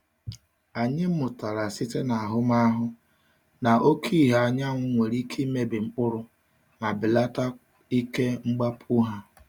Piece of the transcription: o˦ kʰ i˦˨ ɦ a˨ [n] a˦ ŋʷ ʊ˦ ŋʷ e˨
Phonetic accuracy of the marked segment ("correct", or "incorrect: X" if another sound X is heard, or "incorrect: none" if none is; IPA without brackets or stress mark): incorrect: ɲ